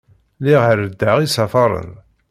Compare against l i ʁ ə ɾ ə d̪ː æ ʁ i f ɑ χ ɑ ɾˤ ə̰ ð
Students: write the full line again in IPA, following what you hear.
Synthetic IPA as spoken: l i ʁ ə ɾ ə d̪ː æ ʁ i s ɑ f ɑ ɾˤ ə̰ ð